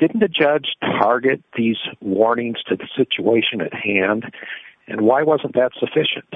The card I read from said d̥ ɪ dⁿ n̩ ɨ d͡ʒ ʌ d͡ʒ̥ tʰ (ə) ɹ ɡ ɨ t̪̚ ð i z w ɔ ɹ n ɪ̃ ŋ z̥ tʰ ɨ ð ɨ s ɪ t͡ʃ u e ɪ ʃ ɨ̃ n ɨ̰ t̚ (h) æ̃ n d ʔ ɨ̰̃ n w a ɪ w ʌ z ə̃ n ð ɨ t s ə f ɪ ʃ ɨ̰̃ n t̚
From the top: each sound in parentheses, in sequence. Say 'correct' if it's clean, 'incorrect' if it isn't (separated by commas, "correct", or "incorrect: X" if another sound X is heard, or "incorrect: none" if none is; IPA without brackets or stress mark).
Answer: incorrect: ɑ, correct